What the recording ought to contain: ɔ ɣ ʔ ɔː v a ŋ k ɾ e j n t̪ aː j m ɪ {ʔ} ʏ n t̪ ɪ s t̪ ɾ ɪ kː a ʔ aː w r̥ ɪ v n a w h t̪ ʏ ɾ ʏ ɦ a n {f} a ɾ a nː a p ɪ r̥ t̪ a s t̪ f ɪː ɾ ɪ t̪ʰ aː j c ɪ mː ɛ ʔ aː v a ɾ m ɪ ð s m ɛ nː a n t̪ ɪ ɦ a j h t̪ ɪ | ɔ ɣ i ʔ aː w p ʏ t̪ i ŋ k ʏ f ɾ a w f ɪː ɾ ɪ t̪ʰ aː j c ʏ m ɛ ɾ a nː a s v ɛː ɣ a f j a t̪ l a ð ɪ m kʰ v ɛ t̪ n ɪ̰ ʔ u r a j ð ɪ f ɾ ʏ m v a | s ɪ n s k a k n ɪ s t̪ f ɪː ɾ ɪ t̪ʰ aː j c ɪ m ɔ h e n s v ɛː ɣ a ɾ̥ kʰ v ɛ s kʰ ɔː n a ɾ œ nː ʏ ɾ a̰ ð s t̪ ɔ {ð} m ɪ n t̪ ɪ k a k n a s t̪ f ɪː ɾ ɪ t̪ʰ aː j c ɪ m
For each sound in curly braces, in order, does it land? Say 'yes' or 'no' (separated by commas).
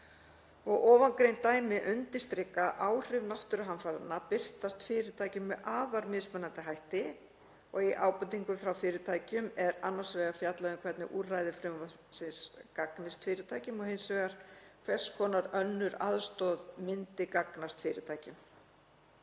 yes, yes, yes